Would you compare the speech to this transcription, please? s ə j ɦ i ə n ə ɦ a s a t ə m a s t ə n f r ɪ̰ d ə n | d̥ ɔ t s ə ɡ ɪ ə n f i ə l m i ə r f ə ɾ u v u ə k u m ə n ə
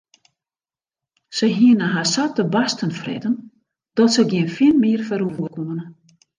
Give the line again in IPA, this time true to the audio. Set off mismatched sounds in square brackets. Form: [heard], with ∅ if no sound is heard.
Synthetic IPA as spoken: s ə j ɦ i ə n ə ɦ a s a t ə [b] a s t ə n f r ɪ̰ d ə n | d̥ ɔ t s ə ɡ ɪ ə n f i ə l m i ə r f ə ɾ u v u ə k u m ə n ə